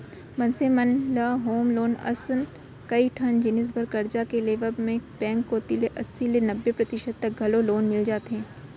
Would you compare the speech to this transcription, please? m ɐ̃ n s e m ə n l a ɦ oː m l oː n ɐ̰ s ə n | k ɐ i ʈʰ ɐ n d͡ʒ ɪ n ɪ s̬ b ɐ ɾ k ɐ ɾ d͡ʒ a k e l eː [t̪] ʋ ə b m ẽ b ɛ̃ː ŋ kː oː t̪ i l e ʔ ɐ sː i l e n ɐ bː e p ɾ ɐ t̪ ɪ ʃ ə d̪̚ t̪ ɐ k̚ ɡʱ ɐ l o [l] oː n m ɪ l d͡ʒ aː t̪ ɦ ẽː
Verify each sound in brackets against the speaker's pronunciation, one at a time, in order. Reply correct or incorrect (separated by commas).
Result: incorrect, correct